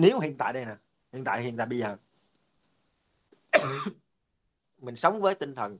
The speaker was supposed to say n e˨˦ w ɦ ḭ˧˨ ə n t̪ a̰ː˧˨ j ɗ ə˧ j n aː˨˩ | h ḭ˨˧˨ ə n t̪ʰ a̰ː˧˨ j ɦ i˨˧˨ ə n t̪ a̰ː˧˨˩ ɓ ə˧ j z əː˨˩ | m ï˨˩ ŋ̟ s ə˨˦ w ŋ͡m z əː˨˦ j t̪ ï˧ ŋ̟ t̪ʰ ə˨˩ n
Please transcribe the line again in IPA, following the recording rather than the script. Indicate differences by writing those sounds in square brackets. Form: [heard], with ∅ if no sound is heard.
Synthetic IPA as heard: n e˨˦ w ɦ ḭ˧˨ ə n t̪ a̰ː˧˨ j ɗ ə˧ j n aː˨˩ | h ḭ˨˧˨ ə n [t̪] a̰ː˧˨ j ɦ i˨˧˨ ə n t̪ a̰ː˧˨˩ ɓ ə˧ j z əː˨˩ | m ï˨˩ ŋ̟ s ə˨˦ w ŋ͡m [v] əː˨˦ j t̪ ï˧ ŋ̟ t̪ʰ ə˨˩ n

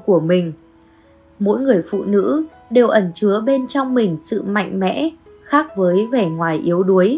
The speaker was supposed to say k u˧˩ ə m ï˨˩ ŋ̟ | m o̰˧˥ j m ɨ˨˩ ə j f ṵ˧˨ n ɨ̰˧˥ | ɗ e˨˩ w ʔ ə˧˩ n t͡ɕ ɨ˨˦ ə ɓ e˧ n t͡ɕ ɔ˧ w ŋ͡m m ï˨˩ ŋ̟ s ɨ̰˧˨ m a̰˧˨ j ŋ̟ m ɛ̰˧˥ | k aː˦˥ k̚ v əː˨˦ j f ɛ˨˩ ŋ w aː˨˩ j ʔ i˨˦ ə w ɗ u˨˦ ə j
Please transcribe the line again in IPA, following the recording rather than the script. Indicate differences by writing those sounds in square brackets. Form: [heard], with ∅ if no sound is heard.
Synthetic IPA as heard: k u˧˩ ə m ï˨˩ ŋ̟ | m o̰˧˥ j [ŋ] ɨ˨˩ ə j f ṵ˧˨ n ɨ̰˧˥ | ɗ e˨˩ w ʔ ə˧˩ n t͡ɕ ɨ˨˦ ə ɓ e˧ n t͡ɕ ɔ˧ w ŋ͡m m ï˨˩ ŋ̟ s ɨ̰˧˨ m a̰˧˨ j ŋ̟ m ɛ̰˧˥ | [x] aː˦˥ k̚ v əː˨˦ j [v] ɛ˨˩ ŋ w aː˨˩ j ʔ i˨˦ ə w ɗ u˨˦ ə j

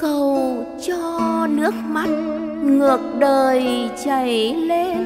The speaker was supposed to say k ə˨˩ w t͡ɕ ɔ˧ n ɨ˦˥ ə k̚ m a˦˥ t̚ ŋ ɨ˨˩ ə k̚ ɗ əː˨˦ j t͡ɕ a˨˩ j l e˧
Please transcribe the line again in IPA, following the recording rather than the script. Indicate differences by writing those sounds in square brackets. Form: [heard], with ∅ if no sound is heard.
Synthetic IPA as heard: k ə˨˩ w t͡ɕ ɔ˧ n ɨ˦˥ ə k̚ m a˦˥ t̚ ŋ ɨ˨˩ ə k̚ ɗ [əː˨˩] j t͡ɕ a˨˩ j l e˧

